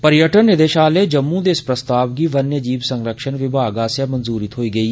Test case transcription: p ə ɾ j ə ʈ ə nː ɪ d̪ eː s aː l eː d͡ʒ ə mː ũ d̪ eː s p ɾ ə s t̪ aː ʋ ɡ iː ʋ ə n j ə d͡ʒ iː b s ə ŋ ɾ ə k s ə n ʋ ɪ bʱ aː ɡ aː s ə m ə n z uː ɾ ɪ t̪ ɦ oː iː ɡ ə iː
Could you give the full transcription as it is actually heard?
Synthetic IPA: p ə ɾ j ə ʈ ə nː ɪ d̪ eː ʃ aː l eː d͡ʒ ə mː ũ d̪ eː s p ɾ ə s t̪ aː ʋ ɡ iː ʋ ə n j ə d͡ʒ iː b s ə ŋ ɾ ə k ʃ ə n ʋ ɪ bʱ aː ɡ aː s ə m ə n z uː ɾ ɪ t̪ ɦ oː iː ɡ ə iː